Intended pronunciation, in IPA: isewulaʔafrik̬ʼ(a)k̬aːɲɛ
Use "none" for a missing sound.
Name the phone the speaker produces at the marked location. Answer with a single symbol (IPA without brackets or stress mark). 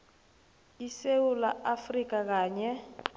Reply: a